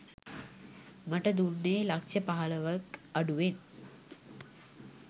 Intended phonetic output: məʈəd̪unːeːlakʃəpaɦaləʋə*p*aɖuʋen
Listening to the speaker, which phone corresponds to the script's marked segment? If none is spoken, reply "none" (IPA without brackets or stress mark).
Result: k